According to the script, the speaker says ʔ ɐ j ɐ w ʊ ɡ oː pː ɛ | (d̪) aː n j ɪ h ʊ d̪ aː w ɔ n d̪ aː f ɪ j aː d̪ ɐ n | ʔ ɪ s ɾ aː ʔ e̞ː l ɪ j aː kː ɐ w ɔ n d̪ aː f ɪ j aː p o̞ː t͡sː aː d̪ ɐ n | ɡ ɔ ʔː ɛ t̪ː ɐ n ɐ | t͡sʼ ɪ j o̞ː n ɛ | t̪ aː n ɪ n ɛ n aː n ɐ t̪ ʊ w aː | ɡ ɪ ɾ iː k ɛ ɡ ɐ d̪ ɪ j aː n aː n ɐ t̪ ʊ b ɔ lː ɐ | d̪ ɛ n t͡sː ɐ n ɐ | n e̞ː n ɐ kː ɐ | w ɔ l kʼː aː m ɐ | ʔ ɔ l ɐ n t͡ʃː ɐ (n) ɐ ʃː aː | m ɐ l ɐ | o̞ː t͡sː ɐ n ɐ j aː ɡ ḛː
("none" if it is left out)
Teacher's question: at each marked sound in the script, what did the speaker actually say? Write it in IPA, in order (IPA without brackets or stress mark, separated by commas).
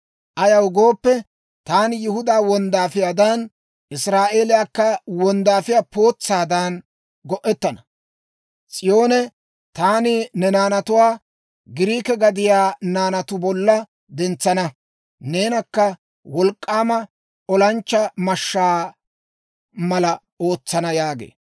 t̪, m